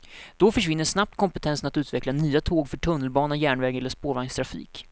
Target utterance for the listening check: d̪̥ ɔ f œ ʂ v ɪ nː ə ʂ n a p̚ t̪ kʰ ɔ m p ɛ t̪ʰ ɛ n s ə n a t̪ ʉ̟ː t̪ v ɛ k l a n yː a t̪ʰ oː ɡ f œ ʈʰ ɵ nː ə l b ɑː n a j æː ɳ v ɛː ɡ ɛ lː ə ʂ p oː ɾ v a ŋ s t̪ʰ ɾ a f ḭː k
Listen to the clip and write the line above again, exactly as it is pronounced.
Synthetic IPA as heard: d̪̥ ɔ f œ ʂ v ɪ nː ə ʂ n a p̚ t̪ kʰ ɔ m p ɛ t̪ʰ ɛ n s ə n a t̪ ʉ̟ː t̪ v ɛ k l a n yː a t̪ʰ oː ɡ f œ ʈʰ ɵ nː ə l b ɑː n a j æː ɳ v ɛː ɡ ɛ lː ə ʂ p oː ɾ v a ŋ s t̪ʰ ɾ a f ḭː k